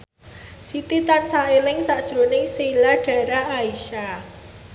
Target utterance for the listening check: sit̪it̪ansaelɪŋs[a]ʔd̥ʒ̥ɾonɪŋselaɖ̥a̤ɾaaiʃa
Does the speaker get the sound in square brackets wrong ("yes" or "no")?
no